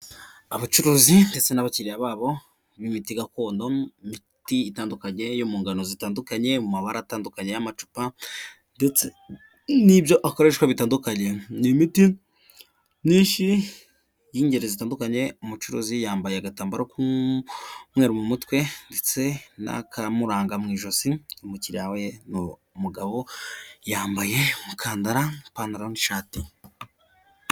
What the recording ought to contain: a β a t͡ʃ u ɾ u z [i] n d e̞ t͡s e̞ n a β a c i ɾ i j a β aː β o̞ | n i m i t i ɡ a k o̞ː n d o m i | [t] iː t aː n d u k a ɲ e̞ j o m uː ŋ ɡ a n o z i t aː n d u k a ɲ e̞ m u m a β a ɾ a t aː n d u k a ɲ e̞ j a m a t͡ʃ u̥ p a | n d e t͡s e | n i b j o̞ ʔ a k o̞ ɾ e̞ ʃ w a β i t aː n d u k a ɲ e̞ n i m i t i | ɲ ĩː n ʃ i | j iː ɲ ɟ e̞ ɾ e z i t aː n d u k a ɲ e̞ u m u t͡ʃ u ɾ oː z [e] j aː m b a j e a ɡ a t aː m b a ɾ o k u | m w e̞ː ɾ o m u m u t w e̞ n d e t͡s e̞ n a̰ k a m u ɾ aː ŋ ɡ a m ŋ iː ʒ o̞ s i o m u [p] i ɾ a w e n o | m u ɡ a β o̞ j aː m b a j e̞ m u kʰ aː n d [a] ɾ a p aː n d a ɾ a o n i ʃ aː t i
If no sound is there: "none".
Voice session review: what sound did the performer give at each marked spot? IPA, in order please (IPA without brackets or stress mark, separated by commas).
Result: i, t, i, c, a